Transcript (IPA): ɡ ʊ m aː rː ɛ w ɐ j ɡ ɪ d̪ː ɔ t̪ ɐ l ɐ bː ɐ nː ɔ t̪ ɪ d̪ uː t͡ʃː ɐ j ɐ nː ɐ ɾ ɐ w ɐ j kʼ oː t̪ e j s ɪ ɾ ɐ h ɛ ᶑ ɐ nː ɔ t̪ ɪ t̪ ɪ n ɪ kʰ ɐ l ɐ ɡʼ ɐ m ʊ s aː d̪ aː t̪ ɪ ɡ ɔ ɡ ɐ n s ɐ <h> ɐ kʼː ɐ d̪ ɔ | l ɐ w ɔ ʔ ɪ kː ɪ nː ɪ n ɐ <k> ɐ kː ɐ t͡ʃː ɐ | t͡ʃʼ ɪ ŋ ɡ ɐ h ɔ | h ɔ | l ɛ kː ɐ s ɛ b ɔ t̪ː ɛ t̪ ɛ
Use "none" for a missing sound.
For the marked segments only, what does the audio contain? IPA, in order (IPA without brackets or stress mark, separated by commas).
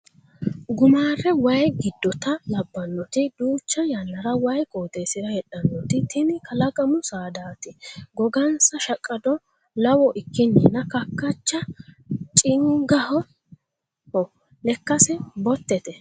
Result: ʃ, k